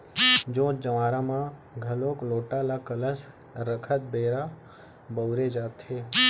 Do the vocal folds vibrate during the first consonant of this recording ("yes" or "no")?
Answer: yes